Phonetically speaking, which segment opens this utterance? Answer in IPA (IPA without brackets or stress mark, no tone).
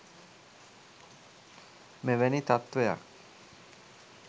m